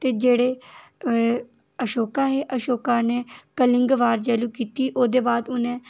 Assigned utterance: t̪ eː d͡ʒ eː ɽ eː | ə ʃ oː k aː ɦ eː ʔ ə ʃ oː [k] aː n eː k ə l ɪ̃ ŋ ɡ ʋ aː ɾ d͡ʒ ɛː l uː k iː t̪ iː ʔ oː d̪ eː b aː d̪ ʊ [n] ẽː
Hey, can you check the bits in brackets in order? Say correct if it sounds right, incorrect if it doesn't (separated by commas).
correct, correct